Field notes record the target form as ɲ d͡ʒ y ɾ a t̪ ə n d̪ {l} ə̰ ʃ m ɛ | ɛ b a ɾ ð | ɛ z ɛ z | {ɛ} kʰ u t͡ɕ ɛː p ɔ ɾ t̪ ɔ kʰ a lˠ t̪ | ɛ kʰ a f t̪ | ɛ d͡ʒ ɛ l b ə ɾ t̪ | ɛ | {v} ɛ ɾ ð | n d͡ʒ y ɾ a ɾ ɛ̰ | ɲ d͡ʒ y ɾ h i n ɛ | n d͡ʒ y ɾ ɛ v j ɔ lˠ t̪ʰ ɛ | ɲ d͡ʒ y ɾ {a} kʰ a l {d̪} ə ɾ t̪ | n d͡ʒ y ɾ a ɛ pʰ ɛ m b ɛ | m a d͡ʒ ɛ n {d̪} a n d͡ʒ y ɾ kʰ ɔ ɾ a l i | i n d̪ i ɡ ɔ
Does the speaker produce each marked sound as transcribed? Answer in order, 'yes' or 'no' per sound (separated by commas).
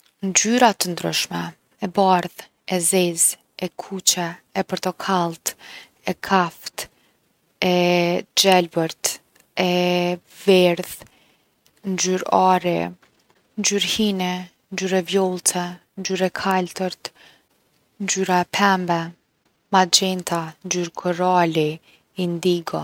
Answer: no, yes, yes, no, no, no